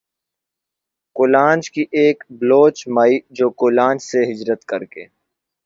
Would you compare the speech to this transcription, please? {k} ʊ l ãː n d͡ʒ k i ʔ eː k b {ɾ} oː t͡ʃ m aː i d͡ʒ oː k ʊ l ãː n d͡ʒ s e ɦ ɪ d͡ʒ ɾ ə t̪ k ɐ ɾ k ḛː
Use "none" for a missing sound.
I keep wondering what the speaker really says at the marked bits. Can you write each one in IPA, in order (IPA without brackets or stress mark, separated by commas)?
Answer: k, l